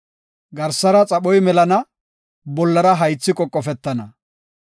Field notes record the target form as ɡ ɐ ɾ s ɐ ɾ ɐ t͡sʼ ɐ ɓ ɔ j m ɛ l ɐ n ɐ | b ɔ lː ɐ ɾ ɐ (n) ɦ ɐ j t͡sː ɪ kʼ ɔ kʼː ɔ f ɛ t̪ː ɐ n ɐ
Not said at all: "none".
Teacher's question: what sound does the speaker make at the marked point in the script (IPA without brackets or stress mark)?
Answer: none